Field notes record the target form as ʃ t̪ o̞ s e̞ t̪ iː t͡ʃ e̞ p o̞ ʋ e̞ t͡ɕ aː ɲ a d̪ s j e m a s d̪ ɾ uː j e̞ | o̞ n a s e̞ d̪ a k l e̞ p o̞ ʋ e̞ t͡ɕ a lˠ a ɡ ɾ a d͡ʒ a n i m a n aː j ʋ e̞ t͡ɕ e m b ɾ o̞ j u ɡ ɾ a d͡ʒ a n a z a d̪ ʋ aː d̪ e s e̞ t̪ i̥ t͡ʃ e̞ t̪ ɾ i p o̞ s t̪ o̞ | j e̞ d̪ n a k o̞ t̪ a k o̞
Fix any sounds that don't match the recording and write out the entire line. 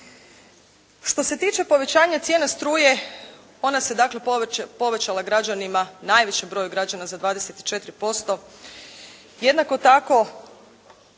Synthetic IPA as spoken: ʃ t̪ o̞ s e̞ t̪ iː t͡ʃ e̞ p o̞ ʋ e̞ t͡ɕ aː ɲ a t̪ s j e n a s t̪ ɾ uː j e̞ | o̞ n a s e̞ d̪ a k l e̞ p o̞ ʋ e̞ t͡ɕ a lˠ a ɡ ɾ a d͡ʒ a n i m a n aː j ʋ e̞ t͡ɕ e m b ɾ o̞ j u ɡ ɾ a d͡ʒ a n a z a d̪ ʋ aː d̪ e s e̞ t̪ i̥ t͡ʃ e̞ t̪ ɾ i p o̞ s t̪ o̞ | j e̞ d̪ n a k o̞ t̪ a k o̞

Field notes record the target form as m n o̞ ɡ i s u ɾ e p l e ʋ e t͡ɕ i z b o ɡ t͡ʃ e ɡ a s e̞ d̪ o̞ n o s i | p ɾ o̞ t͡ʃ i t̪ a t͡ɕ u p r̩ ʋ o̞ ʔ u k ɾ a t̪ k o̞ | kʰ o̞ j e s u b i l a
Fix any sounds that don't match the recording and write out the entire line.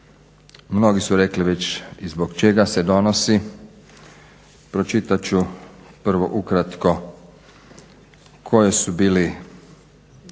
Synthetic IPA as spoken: m n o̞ ɡ i s u ɾ e k l i ʋ e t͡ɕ i z b o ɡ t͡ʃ e ɡ a s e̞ d̪ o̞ n o s i | p ɾ o̞ t͡ʃ i t̪ a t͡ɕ u p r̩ ʋ o̞ ʔ u k ɾ a t̪ k o̞ | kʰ o̞ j e s u b iː l i

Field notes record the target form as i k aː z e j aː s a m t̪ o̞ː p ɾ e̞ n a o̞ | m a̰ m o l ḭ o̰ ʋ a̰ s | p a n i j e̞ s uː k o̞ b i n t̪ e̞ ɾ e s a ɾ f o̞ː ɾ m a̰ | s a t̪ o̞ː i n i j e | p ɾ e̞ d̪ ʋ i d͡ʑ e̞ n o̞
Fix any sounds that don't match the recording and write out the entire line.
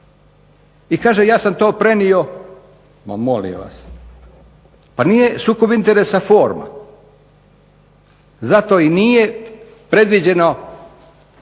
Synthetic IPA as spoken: i k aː ʒ e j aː s a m t̪ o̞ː p ɾ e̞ n i o̞ | m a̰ m o l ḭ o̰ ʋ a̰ s | p a n i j e̞ s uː k o̞ b i n t̪ e̞ ɾ e s a f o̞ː ɾ m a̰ | z a t̪ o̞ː i n i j e | p ɾ e̞ d̪ ʋ i d͡ʑ e̞ n o̞

